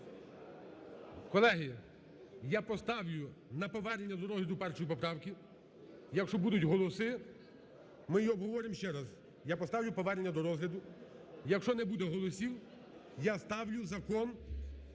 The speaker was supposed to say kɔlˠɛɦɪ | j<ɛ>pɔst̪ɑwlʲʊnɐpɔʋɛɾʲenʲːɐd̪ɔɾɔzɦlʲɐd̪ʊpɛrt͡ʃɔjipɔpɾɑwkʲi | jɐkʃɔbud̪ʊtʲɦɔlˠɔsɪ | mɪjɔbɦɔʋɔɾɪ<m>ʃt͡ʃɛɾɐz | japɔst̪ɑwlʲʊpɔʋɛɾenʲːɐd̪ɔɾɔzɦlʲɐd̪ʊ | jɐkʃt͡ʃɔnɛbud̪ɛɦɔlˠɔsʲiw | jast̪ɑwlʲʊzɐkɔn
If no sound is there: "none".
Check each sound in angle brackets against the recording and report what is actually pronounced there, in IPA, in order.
a, m

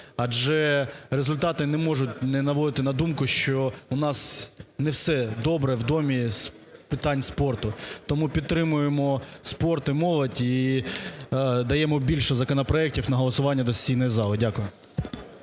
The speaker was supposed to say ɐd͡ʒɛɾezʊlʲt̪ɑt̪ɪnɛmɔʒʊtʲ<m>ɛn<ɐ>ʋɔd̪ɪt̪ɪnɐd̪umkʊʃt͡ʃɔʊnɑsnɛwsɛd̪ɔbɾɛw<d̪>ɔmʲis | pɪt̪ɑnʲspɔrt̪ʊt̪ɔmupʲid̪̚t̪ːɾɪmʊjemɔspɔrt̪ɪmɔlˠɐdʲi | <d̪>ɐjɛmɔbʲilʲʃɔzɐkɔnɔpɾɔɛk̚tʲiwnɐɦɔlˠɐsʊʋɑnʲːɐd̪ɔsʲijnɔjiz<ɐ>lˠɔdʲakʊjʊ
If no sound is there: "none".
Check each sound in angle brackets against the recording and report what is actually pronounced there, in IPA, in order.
n, ɐ, d̪, d̪, ɑ

